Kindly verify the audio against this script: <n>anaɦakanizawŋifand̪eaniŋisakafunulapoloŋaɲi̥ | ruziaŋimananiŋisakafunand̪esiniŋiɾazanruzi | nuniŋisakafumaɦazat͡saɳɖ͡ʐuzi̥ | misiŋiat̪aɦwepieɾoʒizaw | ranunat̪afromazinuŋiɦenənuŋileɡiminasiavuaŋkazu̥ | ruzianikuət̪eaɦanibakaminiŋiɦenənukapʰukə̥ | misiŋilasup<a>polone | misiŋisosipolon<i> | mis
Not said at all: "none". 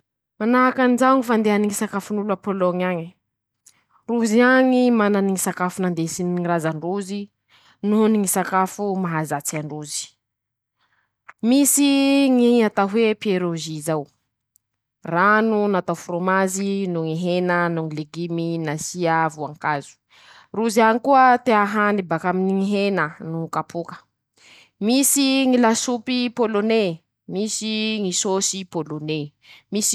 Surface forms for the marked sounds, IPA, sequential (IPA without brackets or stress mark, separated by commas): m, i, e